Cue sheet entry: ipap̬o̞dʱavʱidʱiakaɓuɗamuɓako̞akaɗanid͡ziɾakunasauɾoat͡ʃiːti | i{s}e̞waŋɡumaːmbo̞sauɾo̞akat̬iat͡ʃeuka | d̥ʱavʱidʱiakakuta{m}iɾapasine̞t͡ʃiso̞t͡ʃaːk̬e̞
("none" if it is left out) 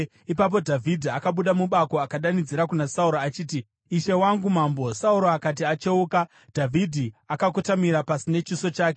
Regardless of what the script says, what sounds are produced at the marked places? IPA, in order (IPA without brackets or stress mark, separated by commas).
ʃ, m